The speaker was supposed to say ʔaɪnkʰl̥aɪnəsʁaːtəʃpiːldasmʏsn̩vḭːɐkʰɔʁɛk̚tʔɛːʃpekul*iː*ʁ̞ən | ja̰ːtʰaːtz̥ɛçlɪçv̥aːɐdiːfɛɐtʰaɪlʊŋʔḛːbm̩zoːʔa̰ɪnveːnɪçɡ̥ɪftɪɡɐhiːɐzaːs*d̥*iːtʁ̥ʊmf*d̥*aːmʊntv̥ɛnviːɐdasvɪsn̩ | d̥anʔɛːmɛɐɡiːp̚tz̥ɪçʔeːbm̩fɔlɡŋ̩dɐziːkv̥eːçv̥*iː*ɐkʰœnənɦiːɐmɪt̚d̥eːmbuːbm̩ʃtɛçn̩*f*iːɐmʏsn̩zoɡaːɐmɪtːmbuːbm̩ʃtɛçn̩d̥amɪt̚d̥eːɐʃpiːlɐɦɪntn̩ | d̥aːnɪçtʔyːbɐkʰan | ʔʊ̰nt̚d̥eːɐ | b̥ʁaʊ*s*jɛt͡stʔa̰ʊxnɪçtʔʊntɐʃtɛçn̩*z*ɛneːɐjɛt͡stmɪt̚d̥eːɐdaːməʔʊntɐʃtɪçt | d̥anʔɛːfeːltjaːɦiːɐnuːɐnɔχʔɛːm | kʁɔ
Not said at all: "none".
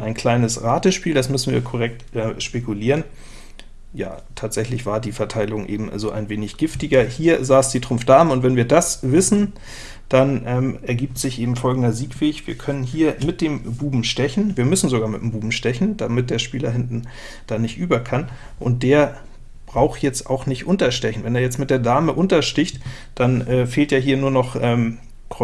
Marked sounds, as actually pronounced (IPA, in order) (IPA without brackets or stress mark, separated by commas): iː, d̥, d̥, iː, v, x, v